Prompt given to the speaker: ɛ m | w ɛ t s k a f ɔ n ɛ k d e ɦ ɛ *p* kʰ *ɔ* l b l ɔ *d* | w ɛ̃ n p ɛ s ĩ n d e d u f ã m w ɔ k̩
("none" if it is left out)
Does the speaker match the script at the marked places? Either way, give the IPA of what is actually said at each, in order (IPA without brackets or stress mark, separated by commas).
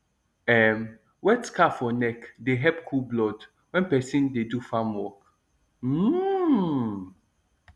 p, u, d